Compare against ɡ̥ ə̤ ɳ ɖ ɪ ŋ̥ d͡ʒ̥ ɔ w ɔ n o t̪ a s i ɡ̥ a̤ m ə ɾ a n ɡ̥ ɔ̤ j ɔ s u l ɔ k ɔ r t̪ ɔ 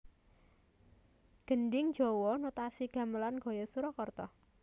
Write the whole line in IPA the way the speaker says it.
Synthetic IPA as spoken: ɡ̥ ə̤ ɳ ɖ ɪ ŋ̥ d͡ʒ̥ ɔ w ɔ n o t̪ a s i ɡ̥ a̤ m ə l a n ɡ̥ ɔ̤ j ɔ s u ɾ ɔ k ɔ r t̪ ɔ